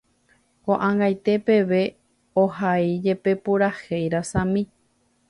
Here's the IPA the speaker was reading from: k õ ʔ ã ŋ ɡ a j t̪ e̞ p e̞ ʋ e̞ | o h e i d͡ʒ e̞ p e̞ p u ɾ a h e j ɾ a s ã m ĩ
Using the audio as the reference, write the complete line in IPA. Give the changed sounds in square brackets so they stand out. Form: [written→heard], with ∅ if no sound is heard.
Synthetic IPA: k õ ʔ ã ŋ ɡ a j t̪ e̞ p e̞ ʋ e̞ | o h [e→a] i d͡ʒ e̞ p e̞ p u ɾ a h e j ɾ a s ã m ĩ